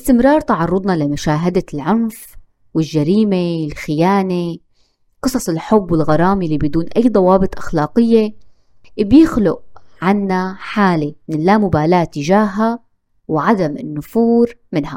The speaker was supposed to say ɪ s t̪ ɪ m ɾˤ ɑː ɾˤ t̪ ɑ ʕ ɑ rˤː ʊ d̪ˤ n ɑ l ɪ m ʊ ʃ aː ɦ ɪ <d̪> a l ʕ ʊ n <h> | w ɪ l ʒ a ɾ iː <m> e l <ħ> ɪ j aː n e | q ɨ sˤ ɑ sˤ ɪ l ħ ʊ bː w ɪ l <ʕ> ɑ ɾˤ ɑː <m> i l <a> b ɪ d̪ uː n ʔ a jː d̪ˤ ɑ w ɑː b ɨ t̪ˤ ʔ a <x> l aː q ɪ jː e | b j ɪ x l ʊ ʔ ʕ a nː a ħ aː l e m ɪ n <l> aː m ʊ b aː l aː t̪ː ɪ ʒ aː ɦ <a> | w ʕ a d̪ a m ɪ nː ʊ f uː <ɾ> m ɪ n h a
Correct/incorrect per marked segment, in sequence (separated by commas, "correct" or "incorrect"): correct, incorrect, correct, incorrect, incorrect, correct, incorrect, correct, correct, correct, correct